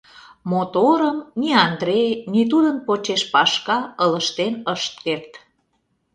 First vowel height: mid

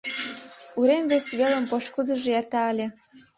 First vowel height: high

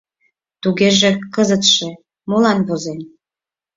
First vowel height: high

